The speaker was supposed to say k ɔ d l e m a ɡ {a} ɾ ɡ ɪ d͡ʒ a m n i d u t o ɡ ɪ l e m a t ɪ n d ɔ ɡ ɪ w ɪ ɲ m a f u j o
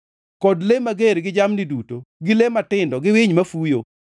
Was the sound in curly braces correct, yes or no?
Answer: no